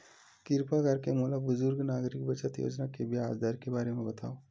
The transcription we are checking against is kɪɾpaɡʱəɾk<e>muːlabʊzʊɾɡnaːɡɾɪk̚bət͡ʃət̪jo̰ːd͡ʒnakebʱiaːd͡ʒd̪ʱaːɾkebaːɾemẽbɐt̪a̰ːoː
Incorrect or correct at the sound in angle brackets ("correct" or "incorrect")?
correct